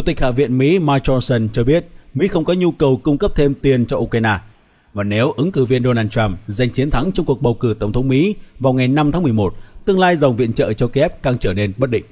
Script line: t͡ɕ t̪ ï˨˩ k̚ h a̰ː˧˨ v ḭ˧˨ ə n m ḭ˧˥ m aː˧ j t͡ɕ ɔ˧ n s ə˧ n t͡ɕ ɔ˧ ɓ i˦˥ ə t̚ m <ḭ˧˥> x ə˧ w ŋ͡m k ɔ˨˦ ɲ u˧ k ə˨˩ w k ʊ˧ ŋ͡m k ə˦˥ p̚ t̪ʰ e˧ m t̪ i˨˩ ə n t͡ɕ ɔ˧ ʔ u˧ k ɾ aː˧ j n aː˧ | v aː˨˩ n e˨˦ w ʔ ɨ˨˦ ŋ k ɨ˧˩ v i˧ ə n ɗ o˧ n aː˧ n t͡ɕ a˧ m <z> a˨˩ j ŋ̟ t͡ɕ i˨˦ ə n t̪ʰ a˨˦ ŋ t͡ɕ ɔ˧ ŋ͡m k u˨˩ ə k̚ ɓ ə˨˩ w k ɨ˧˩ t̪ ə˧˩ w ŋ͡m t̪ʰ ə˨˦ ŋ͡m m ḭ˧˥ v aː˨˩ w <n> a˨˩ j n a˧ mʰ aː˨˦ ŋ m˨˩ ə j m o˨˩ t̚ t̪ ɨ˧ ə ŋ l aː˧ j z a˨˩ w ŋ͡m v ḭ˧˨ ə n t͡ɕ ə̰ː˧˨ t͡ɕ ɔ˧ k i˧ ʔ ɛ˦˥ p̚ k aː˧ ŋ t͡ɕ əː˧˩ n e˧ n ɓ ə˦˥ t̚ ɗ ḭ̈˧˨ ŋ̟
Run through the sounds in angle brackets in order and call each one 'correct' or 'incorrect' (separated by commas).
correct, correct, incorrect